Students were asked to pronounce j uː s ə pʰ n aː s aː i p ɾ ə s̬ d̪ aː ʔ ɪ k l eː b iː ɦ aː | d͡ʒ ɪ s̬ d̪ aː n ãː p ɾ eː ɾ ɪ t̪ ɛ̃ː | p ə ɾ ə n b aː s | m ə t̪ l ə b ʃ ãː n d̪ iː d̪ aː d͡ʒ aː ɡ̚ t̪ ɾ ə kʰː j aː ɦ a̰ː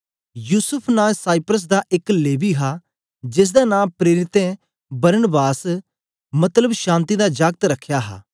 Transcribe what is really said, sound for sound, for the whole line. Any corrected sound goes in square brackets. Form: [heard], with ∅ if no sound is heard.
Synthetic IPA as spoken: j uː s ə pʰ n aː s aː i p ɾ ə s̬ d̪ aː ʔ ɪ k l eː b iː ɦ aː | d͡ʒ ɪ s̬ d̪ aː n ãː p ɾ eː ɾ ɪ t̪ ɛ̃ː | [b] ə ɾ ə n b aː s | m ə t̪ l ə b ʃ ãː n [t̪] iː d̪ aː d͡ʒ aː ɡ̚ t̪ ɾ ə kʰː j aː ɦ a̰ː